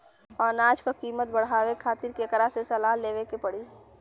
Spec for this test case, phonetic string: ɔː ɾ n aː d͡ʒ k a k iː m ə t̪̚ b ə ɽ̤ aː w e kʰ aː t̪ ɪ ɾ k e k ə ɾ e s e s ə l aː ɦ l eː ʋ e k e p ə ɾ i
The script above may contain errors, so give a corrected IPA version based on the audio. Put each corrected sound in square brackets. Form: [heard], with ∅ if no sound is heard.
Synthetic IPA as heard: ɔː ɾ n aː d͡ʒ k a k iː m ə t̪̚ b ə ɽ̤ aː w e kʰ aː t̪ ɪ ɾ k e k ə ɾ [a] s e s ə l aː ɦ l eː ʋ e k e p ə [ɽ] i